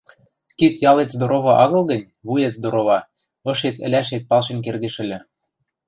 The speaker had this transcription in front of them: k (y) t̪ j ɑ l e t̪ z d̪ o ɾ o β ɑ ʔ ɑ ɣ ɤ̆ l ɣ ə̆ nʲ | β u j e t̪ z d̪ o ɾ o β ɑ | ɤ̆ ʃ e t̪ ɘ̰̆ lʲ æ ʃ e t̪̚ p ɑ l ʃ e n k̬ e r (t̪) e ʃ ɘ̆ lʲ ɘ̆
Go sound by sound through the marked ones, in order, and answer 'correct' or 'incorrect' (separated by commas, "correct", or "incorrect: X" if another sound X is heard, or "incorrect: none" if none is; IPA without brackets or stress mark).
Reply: incorrect: i, incorrect: d̪